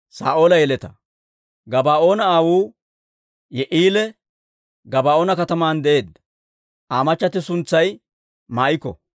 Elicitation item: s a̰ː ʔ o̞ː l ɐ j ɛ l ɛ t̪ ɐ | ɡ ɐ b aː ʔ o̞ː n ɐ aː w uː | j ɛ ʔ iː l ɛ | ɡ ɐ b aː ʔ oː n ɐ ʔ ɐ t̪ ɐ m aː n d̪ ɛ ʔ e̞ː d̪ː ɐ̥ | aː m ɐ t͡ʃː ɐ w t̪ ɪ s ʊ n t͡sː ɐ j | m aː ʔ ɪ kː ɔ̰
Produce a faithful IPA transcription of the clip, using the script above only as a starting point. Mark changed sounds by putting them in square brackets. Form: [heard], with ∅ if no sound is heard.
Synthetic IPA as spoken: s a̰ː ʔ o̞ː l ɐ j ɛ l ɛ t̪ ɐ | ɡ ɐ b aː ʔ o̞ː n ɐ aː w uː | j ɛ ʔ iː l ɛ | ɡ ɐ b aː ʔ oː n ɐ [k] ɐ t̪ ɐ m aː n d̪ ɛ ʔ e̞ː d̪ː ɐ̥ | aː m ɐ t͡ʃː ɐ [∅] t̪ ɪ s ʊ n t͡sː ɐ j | m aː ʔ ɪ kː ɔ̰